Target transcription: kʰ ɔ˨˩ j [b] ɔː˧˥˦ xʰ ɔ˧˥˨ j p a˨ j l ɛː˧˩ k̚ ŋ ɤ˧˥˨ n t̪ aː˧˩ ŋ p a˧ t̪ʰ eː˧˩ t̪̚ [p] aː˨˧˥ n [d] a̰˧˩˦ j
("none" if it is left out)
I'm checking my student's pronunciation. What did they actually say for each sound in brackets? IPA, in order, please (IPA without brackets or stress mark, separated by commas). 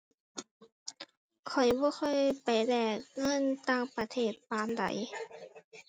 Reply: b, p, d